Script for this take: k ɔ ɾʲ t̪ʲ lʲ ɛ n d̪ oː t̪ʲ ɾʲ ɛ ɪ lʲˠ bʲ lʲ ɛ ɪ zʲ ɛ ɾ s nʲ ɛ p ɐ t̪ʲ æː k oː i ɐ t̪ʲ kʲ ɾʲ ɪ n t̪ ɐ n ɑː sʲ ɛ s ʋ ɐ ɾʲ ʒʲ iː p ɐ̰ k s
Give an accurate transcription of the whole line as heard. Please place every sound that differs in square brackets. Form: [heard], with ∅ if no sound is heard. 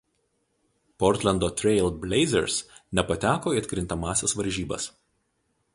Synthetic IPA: [p] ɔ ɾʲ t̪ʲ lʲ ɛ n d̪ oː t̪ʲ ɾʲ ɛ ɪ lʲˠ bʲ lʲ ɛ ɪ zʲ ɛ ɾ s nʲ ɛ p ɐ t̪ʲ æː k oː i ɐ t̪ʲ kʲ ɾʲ ɪ n t̪ ɐ [m] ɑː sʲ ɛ s ʋ ɐ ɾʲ ʒʲ iː [b] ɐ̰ [∅] s